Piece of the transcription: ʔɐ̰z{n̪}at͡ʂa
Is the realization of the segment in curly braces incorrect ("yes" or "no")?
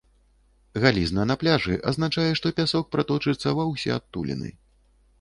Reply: no